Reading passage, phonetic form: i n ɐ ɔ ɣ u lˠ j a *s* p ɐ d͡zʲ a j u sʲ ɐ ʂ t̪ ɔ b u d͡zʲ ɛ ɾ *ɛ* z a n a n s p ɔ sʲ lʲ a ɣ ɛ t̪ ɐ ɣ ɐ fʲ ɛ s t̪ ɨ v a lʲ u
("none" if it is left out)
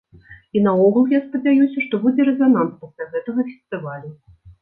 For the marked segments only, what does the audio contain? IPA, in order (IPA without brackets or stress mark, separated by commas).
s, ɛ